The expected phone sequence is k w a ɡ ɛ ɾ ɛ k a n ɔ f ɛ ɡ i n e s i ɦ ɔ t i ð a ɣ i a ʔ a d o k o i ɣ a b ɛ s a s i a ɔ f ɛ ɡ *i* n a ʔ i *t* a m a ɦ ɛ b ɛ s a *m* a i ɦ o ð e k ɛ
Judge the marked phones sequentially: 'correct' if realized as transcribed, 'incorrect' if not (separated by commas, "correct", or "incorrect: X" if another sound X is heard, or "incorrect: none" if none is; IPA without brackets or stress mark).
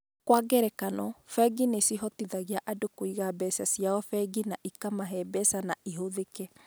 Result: correct, incorrect: k, incorrect: n